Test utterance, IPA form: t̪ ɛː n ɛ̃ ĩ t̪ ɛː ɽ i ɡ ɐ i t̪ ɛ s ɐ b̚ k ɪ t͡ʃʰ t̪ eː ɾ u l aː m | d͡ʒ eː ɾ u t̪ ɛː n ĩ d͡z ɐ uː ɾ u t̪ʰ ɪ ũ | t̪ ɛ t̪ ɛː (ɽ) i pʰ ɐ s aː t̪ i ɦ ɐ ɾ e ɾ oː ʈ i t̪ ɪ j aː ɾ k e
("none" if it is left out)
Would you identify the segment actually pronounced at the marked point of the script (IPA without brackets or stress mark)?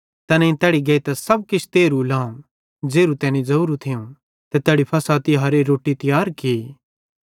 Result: ɽ